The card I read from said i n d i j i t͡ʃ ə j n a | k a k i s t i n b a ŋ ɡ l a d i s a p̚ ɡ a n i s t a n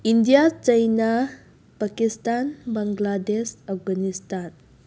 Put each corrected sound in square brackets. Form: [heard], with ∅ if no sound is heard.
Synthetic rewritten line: i n d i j [a] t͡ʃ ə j n a | [p] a k i s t [a] n b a ŋ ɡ l a d [e] s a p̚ ɡ a n i s t a n